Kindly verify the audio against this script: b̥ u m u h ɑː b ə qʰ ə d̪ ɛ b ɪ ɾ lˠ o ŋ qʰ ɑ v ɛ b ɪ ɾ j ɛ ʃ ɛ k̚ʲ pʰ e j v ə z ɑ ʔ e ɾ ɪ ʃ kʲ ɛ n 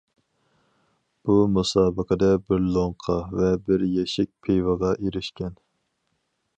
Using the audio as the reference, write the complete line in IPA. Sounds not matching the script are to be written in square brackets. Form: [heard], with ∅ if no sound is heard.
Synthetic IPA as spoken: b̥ u m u [s] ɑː b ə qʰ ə d̪ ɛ b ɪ ɾ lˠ o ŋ qʰ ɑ v ɛ b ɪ ɾ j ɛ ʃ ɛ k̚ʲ pʰ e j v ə [ʁ] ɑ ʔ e ɾ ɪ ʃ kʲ ɛ n